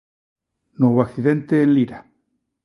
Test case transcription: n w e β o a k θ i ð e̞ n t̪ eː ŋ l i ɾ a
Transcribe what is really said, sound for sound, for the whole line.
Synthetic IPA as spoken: n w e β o a k θ i ð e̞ n t̪ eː n l i ɾ a

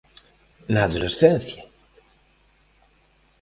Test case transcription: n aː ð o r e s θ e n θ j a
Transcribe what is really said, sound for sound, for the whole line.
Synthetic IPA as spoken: n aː ð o l e s θ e n θ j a

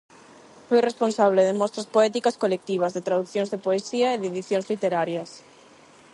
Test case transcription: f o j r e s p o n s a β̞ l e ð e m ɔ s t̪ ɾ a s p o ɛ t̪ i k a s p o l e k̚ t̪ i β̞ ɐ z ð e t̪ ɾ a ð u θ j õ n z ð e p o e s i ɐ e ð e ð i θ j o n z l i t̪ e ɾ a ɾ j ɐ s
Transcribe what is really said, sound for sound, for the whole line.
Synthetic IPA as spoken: f o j r e s p o n s a β̞ l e ð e m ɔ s t̪ ɾ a s p o ɛ t̪ i k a s k o l e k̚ t̪ i β̞ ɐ z ð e t̪ ɾ a ð u θ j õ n z ð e p o e s i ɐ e ð e ð i θ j o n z l i t̪ e ɾ a ɾ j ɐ s

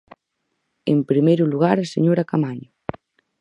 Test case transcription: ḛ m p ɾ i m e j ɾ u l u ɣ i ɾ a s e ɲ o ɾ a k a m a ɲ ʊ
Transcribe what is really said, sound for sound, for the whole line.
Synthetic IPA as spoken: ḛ m p ɾ i m e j ɾ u l u ɣ a ɾ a s e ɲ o ɾ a k a m a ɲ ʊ

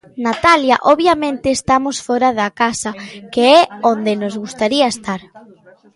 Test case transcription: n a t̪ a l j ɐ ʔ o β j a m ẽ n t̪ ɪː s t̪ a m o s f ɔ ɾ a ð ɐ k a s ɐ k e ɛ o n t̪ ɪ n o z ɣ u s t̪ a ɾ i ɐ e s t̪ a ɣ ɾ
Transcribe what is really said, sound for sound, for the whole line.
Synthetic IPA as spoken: n a t̪ a l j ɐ ʔ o β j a m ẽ n t̪ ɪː s t̪ a m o s f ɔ ɾ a ð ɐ k a s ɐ k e ɛ o n d̪ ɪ n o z ɣ u s t̪ a ɾ i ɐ e s t̪ a ɾ

